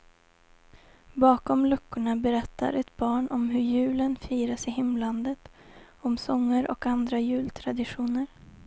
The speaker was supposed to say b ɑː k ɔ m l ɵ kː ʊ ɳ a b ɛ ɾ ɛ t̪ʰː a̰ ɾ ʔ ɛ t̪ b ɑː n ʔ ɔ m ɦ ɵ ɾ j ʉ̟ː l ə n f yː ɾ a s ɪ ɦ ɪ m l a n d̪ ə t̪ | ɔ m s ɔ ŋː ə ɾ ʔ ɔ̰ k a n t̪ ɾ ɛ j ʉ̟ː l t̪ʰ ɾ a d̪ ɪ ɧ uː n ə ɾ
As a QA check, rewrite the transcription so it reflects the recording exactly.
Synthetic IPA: b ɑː k ɔ m l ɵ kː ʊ ɳ a b ɛ ɾ ɛ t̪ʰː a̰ ɾ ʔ ɛ t̪ b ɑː ɳ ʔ ɔ m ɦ ɵ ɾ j ʉ̟ː l ə n f iː ɾ a s ɪ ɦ ɪ m l a n d̪ ə t̪ | ɔ m s ɔ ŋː ə ɾ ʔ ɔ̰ k a n d̪ ɾ a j ʉ̟ː l t̪ʰ ɾ a d̪ ɪ ɧ uː n ə ɾ